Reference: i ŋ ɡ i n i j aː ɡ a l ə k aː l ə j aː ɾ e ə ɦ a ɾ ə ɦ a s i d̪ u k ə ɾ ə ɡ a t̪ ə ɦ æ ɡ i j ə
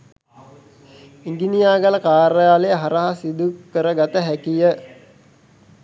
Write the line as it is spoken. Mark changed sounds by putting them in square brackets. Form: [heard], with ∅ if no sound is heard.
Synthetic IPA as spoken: i ŋ ɡ i n i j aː ɡ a l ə k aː [ɾ] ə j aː [l] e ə ɦ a ɾ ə ɦ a s i d̪ u k ə ɾ ə ɡ a t̪ ə ɦ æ [k] i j ə

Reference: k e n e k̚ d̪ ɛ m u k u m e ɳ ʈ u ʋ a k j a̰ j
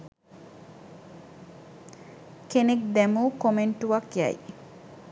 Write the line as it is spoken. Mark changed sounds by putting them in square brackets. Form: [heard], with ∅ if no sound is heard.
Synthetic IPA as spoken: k e n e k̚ d̪ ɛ m u k [o] m e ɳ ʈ u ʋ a k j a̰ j

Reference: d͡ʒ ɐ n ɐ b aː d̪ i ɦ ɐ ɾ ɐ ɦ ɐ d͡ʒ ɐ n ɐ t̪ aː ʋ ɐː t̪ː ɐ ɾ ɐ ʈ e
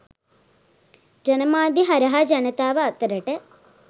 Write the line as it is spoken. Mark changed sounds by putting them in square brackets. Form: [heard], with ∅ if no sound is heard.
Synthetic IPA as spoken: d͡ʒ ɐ n ɐ [m] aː d̪ i ɦ ɐ ɾ ɐ ɦ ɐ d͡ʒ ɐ n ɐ t̪ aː ʋ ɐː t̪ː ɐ ɾ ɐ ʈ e

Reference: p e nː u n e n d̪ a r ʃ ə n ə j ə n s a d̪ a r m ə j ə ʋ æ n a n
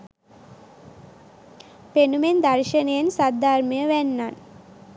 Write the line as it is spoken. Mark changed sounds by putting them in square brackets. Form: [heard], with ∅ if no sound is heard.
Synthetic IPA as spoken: p e [n] u [m] e n d̪ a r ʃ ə n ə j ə n s a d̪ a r m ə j ə ʋ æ [nː] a n

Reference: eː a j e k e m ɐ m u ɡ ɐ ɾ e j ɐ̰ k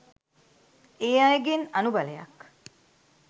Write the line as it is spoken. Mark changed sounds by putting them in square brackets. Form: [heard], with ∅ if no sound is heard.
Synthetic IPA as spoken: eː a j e [ɡ] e [n] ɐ [n] u [b] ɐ [l] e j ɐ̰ k

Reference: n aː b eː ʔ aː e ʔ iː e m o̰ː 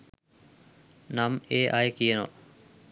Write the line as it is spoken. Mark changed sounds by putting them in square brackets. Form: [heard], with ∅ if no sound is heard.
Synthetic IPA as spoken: n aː [m] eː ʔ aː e [k] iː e [n] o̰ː

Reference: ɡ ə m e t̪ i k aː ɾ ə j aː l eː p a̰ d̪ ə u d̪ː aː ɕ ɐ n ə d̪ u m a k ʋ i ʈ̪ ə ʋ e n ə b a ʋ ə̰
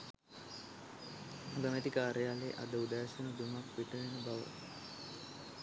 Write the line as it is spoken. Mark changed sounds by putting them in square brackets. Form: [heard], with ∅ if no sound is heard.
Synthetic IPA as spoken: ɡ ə m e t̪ i k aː ɾ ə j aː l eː [ʔ] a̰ d̪ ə u [d̪] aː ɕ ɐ n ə d̪ u m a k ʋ i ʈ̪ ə ʋ e n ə b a ʋ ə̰

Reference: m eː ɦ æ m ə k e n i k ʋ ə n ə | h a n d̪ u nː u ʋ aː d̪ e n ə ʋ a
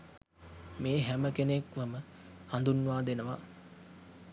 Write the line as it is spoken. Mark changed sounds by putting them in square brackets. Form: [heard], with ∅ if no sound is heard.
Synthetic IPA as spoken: m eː ɦ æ m ə k e n [e] k ʋ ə [m] ə | h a n d̪ u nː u ʋ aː d̪ e n ə ʋ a

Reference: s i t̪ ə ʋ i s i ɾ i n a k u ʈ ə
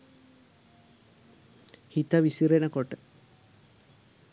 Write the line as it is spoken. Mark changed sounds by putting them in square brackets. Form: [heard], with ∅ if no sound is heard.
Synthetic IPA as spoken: [h] i t̪ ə ʋ i s i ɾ [e] n [ə] k [o] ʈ ə

